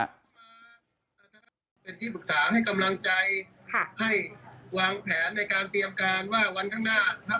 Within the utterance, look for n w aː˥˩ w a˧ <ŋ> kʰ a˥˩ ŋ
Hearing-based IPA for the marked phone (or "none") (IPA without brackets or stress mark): n